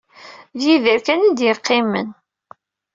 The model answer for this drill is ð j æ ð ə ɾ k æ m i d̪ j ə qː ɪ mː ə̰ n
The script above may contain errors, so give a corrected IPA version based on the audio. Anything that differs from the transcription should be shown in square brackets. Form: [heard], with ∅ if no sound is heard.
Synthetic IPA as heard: ð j [i] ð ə ɾ k æ [n] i d̪ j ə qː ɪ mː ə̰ n